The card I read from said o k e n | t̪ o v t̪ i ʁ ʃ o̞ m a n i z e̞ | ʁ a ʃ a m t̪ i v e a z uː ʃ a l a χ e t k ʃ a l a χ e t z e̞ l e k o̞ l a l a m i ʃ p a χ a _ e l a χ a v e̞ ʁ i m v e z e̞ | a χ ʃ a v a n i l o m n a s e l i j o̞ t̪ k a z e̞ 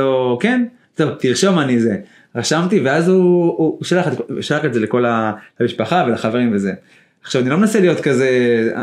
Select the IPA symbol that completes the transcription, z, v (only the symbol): v